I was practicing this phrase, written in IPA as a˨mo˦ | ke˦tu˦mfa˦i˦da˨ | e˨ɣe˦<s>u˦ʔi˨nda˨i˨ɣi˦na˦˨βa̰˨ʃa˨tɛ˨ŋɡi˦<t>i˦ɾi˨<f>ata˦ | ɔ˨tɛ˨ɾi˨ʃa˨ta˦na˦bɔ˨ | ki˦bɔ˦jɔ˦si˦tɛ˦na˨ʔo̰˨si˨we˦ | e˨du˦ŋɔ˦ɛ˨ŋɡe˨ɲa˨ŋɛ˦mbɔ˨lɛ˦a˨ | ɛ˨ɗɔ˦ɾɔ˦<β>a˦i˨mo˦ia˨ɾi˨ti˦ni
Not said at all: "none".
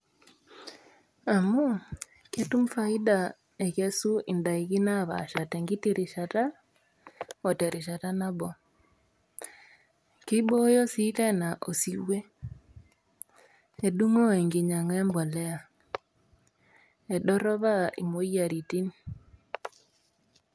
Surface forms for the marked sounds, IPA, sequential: s, t, ʃ, β

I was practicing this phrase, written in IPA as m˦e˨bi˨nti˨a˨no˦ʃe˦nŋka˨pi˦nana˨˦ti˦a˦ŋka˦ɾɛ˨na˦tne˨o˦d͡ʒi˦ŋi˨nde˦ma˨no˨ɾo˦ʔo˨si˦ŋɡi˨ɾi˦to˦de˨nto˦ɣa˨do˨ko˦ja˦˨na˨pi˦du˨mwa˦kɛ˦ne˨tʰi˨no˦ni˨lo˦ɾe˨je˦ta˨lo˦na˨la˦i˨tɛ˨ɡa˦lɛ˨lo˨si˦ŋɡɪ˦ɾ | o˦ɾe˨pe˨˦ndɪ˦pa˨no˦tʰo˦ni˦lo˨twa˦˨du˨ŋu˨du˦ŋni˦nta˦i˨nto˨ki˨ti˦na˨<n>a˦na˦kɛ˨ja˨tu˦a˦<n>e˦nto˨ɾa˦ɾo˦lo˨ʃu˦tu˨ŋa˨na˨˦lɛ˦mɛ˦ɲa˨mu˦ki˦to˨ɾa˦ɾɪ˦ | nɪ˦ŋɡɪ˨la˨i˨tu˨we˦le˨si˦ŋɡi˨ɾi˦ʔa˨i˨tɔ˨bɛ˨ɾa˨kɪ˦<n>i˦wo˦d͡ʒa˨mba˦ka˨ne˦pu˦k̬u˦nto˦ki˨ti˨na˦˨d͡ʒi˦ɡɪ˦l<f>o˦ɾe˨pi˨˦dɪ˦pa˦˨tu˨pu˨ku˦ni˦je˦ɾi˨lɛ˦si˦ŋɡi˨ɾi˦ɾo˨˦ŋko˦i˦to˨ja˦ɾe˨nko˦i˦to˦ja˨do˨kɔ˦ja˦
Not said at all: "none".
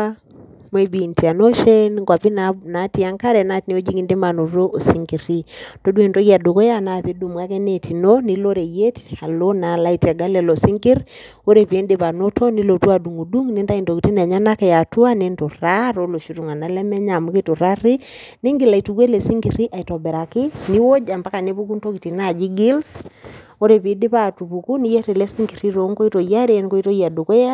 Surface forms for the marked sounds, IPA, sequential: ɲ, n, n, s

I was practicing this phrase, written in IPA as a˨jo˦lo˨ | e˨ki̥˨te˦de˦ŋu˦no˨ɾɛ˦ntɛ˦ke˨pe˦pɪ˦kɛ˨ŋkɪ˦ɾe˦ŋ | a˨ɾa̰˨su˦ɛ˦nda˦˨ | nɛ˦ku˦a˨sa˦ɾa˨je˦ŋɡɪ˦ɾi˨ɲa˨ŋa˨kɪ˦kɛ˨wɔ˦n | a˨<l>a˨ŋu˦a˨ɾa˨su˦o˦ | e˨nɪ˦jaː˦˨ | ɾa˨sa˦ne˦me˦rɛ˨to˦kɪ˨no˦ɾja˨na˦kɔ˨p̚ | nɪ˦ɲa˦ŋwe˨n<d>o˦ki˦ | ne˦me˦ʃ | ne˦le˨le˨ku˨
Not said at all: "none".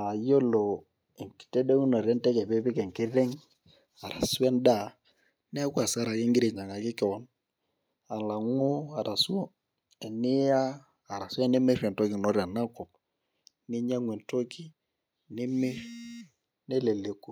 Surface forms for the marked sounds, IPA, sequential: l, t

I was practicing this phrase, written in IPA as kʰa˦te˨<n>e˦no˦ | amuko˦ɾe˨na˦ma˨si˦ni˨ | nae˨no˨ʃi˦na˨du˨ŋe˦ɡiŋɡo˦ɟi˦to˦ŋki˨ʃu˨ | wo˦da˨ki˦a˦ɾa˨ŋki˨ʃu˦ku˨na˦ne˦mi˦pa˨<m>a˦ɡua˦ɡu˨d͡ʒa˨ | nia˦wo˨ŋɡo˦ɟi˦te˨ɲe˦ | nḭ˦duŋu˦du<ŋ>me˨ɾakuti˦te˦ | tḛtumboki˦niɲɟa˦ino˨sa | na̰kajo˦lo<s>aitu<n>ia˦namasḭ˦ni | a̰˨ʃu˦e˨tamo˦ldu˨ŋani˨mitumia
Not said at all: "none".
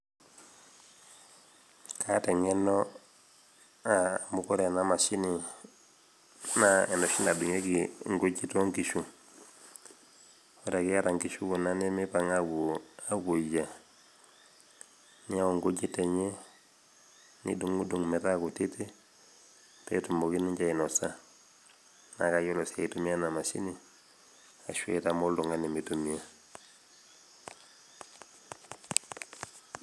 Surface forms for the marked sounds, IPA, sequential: ŋ, ŋ, ŋ, s, m

